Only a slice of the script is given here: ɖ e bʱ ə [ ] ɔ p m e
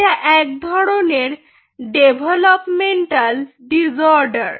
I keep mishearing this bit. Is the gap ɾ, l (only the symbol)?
l